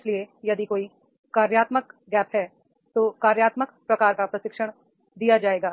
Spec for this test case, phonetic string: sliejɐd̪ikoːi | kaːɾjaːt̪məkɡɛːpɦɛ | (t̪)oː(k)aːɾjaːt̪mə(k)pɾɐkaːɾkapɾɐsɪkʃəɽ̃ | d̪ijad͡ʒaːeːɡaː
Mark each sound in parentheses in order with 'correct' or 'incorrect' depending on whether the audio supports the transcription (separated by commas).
correct, correct, correct